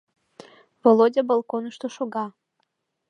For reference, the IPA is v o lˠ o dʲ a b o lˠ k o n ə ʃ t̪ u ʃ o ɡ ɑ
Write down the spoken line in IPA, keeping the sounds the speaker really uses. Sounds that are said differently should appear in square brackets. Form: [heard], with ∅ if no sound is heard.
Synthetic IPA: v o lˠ o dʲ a b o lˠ k o n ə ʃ t̪ [o] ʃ o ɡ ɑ